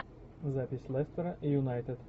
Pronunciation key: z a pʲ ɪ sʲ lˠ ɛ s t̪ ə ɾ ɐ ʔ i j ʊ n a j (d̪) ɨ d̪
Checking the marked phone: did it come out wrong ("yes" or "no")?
yes